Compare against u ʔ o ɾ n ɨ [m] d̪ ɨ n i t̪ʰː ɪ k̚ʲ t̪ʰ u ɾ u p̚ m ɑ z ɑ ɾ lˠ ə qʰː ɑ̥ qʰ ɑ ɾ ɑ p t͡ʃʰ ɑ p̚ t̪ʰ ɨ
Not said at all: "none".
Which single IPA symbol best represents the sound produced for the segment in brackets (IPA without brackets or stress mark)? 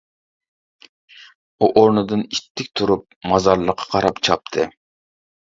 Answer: none